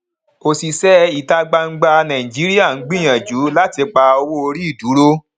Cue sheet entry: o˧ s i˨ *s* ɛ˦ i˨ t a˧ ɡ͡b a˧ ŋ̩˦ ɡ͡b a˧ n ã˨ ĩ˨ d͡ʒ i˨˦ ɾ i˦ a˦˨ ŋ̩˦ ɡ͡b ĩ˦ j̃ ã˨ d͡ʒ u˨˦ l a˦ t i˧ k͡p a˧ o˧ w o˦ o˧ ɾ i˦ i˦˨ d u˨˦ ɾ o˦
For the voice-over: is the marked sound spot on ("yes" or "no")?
yes